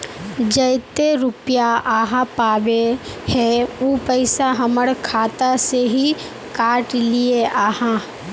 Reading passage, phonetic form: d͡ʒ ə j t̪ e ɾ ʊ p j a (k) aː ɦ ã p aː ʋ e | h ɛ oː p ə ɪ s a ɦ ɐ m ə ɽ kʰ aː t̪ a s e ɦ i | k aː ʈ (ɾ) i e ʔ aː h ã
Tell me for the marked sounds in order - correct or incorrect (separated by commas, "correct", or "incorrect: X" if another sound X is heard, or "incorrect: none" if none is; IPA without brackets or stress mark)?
incorrect: none, incorrect: l